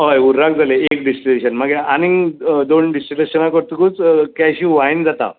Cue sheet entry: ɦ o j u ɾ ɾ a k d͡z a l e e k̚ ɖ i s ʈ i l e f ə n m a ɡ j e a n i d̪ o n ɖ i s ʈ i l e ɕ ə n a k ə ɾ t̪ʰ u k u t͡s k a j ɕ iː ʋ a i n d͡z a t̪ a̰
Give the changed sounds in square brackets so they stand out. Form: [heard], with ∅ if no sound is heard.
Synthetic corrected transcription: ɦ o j u ɾ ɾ a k d͡z a l e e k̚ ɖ i s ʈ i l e [ɕ] ə n m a ɡ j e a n i d̪ o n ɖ i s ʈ i l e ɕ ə n a k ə ɾ [t̪] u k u t͡s k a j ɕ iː ʋ a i n d͡z a t̪ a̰